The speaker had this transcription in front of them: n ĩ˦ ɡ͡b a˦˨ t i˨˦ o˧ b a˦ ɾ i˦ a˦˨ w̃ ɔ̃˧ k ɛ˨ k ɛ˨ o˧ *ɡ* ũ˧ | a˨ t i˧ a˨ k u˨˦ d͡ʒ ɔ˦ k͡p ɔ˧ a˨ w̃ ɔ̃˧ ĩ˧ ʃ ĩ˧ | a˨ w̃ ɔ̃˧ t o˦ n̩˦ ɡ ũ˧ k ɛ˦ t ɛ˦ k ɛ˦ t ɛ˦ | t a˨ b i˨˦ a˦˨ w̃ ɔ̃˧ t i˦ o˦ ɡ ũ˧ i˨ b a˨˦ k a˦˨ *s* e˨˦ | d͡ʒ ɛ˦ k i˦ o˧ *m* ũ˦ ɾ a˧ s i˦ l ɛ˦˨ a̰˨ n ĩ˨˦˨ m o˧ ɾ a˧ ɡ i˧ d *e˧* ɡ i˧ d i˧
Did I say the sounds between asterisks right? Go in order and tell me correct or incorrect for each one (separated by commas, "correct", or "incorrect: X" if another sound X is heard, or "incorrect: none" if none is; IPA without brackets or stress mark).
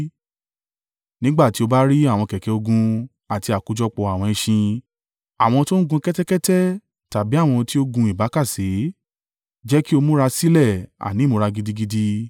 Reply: correct, correct, correct, incorrect: i˧